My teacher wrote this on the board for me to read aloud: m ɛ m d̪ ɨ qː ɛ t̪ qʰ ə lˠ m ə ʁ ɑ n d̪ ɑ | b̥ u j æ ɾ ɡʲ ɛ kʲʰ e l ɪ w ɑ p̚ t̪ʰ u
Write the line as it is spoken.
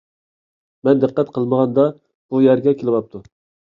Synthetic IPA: m ɛ n d̪ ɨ qː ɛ t̪ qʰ ə lˠ m ə ʁ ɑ n d̪ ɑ | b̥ u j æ ɾ ɡʲ ɛ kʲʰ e l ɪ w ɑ p̚ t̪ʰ u